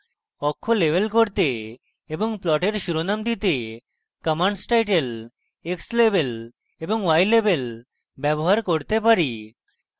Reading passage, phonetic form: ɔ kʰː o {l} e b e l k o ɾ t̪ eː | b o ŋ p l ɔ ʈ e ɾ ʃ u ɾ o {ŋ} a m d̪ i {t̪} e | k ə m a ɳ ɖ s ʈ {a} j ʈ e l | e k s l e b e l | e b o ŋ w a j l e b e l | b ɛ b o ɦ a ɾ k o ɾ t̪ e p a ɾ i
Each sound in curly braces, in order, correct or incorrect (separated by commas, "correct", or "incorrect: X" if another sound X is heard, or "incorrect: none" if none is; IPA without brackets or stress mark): correct, incorrect: n, correct, correct